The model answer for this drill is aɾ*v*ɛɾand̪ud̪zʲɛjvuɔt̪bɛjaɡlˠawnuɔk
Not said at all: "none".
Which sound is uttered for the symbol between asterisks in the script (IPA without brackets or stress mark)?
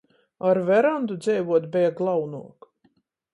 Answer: v